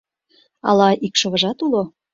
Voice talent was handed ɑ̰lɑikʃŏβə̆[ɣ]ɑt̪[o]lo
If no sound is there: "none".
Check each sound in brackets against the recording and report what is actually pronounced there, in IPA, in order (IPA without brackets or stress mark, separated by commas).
ʒ, u